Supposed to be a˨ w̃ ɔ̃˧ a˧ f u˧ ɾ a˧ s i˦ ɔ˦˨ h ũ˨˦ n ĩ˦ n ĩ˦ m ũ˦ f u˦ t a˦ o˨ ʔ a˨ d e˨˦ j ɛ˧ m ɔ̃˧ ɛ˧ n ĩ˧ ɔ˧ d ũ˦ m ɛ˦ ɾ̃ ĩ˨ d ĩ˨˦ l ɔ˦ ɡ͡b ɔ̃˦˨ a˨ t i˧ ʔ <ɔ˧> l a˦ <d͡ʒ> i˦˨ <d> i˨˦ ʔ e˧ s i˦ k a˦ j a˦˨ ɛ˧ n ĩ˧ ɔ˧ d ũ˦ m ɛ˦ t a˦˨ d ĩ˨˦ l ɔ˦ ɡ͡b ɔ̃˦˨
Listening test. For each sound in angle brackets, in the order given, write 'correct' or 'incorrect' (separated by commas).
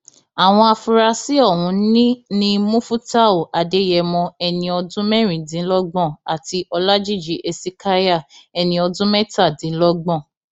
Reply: correct, correct, incorrect